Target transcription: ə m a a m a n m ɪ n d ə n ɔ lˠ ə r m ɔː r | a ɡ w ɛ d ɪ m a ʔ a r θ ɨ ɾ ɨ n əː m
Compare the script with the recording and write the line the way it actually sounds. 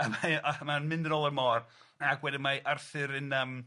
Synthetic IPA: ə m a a m a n m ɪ n d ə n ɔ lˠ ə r m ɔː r | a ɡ w ɛ d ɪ m a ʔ a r θ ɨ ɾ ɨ n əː m

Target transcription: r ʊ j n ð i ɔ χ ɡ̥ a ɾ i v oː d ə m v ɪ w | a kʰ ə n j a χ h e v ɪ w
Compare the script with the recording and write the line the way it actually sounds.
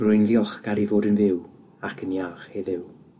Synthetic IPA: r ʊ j n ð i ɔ χ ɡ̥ a ɾ i v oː d ə n v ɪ w | a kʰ ə n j a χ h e ð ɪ w

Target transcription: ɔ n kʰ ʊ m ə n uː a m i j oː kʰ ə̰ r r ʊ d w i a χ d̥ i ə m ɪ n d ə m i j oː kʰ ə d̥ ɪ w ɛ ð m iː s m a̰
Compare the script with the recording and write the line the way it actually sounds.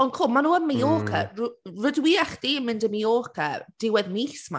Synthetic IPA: ɔ n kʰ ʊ m a n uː ə m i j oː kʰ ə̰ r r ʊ d w i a χ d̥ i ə m ɪ n d ə m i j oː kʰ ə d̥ ɪ w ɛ ð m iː s m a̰

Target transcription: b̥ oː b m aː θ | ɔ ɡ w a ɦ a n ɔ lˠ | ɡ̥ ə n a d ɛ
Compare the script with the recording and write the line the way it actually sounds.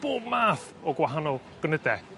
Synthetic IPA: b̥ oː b m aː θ | ɔ ɡ w a ɦ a n ɔ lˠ | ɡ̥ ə n ə d ɛ

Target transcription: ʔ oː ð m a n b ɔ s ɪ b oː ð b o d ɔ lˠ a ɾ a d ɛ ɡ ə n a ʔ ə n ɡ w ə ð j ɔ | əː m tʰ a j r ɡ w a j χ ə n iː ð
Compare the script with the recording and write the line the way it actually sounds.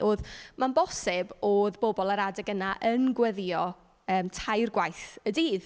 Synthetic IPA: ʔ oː ð m a n b ɔ s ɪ b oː ð b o b ɔ lˠ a ɾ a d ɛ ɡ ə n a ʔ ə n ɡ w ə ð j ɔ | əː m tʰ a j r ɡ w a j θ ə d iː ð

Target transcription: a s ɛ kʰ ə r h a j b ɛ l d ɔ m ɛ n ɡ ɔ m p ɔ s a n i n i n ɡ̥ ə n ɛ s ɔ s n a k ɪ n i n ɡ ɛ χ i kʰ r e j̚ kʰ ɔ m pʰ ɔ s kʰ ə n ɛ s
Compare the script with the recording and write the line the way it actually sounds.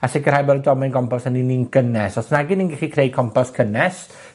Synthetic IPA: a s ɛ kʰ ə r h a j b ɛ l d ɔ m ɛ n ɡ ɔ m p ɔ s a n i n i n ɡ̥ ə n ɛ s ɔ s n a ɡ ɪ n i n ɡ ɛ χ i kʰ r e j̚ kʰ ɔ m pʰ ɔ s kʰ ə n ɛ s

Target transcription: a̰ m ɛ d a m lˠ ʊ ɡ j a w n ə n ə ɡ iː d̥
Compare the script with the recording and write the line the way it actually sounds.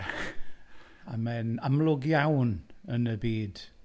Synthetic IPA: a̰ m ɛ n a m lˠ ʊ ɡ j a w n ə n ə b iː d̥

